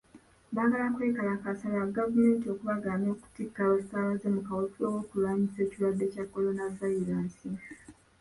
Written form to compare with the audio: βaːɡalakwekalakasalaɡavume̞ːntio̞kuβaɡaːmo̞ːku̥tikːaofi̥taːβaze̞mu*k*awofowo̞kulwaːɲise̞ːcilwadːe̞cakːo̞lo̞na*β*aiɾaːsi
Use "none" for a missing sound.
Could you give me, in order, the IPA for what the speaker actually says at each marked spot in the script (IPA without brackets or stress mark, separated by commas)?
k, v